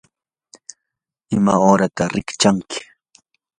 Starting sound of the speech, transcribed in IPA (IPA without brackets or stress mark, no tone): ɪ